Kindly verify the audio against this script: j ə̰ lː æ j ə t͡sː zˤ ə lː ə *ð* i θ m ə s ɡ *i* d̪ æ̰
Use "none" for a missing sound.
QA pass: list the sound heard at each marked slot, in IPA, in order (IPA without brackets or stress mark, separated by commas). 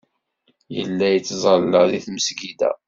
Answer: ð, i